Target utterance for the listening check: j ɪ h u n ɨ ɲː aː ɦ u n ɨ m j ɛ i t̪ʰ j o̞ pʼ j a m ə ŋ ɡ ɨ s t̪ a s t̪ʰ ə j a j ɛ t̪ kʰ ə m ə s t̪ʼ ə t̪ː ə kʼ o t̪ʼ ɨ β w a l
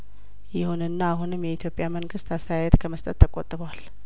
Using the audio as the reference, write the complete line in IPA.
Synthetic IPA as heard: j ɪ h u n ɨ nː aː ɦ u n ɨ m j ɛ i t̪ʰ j o̞ pʼ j a m ə ŋ ɡ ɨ s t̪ a s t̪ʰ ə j a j ɛ t̪ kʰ ə m ə s t̪ʼ ə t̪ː ə kʼ o t̪ʼ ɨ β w a l